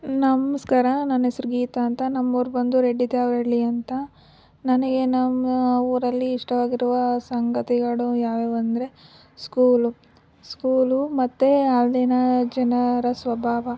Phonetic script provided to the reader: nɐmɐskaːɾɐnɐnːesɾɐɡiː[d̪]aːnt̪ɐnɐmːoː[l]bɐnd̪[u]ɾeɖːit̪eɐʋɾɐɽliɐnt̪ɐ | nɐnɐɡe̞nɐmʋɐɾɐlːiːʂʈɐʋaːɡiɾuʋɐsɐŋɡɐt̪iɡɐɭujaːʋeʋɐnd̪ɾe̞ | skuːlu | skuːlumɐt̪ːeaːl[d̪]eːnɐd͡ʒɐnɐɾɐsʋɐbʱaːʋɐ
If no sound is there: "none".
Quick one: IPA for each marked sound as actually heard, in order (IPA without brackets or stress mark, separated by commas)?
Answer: t̪, ɾ, u, d̪